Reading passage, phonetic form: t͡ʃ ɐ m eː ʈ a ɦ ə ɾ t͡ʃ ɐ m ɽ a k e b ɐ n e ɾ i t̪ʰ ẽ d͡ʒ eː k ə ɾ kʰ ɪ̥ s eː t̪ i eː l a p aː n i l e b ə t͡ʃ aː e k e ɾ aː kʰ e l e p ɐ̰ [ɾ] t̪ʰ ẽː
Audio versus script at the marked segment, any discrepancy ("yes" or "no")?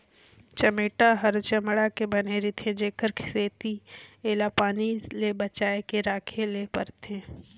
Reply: no